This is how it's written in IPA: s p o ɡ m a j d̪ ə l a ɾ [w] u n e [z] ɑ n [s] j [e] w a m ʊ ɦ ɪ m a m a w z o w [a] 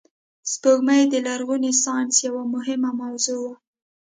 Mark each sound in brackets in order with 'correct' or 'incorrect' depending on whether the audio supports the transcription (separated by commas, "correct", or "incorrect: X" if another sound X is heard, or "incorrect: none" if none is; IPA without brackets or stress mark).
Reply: incorrect: ɣ, incorrect: s, correct, incorrect: a, correct